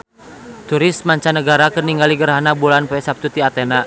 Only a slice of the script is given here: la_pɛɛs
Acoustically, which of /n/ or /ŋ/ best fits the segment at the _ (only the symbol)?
n